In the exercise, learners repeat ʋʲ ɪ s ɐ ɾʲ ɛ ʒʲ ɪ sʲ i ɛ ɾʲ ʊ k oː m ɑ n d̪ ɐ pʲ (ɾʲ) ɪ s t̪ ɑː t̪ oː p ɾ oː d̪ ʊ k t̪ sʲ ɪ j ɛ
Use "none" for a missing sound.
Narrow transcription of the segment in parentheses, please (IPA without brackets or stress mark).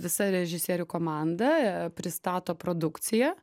ɾʲ